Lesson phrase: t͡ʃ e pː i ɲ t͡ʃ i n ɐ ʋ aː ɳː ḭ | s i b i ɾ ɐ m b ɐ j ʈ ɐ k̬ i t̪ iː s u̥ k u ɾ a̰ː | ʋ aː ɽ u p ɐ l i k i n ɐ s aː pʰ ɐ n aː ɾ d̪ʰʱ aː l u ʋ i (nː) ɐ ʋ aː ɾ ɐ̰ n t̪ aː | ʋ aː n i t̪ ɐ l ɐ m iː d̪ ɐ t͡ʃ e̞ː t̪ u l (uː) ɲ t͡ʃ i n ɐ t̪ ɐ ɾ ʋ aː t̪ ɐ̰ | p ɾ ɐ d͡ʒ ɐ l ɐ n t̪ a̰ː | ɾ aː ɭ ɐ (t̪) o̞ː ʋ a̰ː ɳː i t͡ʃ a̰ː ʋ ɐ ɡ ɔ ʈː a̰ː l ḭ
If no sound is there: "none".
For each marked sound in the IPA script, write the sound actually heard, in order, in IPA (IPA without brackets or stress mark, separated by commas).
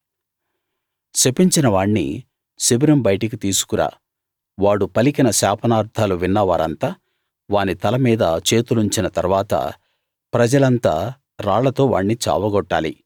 nː, u, t̪